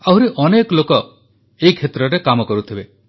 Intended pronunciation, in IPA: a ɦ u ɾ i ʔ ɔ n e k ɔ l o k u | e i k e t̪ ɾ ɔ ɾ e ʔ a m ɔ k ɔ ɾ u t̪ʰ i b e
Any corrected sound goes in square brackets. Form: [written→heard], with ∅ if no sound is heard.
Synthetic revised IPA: a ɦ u ɾ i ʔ ɔ n e k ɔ l o k [u→ɔ] | e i [k→kʰ] e t̪ ɾ ɔ ɾ e [ʔ→k] a m ɔ k ɔ ɾ u t̪ʰ i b e